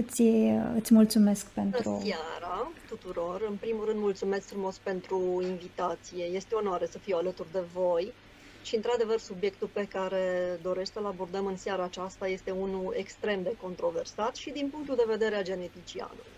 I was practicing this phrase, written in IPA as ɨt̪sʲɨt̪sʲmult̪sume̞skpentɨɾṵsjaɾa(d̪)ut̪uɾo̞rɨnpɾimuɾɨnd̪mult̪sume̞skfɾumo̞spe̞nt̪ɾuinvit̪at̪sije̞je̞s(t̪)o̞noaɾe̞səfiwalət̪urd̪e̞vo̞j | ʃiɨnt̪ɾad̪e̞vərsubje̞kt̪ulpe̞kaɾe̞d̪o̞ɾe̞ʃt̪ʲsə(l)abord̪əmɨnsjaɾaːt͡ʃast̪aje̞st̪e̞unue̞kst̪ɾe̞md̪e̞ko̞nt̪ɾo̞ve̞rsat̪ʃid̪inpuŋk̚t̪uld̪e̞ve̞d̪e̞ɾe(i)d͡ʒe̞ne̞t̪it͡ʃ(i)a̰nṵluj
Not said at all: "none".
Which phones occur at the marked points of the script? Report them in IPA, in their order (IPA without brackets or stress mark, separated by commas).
t̪, t̪, l, a, i